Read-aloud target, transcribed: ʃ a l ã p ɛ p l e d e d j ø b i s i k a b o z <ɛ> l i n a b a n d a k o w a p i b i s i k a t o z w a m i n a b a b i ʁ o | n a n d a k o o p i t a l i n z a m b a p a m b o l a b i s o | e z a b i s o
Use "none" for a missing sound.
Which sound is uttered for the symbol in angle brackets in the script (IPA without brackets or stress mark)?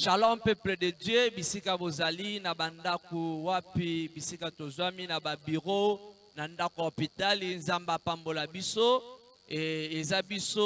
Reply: a